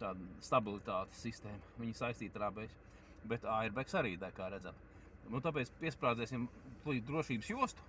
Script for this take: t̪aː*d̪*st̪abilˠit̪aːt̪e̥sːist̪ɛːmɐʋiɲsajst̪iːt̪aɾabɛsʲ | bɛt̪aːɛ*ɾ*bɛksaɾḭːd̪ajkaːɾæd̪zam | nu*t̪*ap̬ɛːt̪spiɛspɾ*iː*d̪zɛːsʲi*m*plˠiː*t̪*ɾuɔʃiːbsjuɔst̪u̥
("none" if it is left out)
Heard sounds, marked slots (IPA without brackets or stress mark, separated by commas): d̪, ɾ, t̪, aː, m, d̪